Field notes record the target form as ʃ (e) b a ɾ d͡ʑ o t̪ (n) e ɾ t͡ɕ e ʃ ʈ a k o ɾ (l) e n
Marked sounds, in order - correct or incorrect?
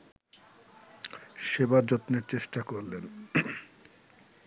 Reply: correct, correct, correct

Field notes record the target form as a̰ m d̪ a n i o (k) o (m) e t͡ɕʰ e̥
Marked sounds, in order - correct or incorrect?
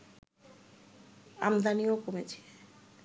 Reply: correct, correct

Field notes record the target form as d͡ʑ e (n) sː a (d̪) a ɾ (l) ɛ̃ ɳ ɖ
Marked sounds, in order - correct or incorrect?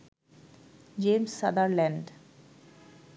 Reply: incorrect, correct, correct

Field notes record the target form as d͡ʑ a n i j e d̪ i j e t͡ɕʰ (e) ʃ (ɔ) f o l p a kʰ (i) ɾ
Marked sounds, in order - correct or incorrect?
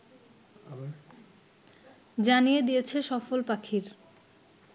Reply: correct, correct, correct

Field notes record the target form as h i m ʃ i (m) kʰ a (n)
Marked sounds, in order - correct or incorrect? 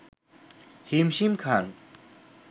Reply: correct, correct

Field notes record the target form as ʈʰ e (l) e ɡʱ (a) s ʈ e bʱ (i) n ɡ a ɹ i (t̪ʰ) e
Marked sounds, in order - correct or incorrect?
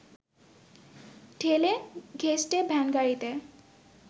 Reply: correct, incorrect, incorrect, incorrect

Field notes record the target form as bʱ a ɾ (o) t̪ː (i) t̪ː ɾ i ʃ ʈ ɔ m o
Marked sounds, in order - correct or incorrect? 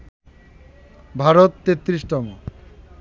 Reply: correct, incorrect

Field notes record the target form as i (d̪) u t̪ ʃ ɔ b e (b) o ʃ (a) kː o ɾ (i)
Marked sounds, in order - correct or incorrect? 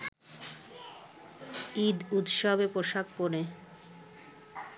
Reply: correct, incorrect, correct, incorrect

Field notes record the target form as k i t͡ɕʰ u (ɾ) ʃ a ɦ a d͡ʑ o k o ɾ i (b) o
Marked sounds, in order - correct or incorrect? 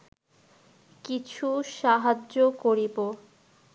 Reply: incorrect, correct

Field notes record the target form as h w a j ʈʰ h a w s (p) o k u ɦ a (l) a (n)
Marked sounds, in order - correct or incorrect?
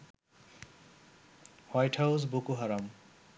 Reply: incorrect, incorrect, incorrect

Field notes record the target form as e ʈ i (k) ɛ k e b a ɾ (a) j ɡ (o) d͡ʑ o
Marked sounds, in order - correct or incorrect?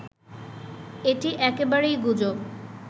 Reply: incorrect, incorrect, incorrect

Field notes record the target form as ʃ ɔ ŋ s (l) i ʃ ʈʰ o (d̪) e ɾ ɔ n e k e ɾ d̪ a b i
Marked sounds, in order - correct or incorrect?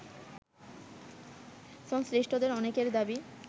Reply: incorrect, correct

